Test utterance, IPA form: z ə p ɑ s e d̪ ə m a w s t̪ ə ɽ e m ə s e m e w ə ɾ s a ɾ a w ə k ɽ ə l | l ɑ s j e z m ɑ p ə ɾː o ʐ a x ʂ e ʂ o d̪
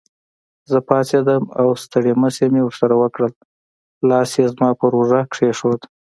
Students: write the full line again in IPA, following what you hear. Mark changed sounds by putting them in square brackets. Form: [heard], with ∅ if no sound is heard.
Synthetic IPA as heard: z ə p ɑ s e d̪ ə m a w s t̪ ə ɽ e m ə s e m e w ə ɾ s a ɾ a w ə k ɽ ə l | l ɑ s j e z m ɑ p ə [ɾ] o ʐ a [k] ʂ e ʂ o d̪